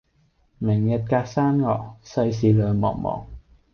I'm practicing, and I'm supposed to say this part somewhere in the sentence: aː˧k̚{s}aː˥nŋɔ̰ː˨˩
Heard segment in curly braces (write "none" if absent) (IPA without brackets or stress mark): s